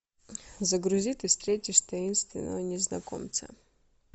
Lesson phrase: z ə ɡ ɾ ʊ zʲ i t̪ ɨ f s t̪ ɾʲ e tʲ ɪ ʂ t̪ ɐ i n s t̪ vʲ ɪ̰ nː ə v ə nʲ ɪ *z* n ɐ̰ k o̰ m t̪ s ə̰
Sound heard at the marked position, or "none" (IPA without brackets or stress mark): z